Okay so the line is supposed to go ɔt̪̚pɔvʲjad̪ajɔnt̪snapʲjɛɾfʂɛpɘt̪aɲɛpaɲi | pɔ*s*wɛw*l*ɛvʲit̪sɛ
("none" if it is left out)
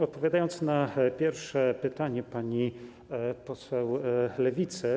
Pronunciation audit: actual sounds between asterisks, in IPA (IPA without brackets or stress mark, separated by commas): s, l